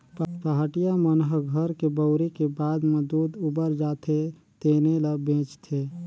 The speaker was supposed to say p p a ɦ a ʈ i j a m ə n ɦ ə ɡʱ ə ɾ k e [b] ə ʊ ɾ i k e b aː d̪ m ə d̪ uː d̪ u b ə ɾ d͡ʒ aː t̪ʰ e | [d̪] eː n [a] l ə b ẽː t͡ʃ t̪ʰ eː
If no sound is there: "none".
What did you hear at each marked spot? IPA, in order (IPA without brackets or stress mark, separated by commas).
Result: b, t̪, e